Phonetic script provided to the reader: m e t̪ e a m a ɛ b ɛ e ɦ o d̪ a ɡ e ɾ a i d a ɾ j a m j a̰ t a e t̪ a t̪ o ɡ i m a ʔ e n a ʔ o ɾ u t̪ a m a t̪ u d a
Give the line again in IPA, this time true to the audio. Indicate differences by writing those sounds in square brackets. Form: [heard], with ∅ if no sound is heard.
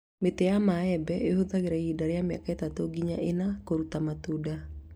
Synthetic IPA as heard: m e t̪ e a m a ɛ b ɛ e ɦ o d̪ a ɡ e ɾ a i d a ɾ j a m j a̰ [k] a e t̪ a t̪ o ɡ i [ɲ] a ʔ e n a [k] o ɾ u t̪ a m a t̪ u d a